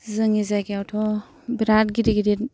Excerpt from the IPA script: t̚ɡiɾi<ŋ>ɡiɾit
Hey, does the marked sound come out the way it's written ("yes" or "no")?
no